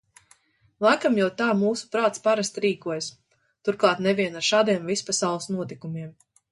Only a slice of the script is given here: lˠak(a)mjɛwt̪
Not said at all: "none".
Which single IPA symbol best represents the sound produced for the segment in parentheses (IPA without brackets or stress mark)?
a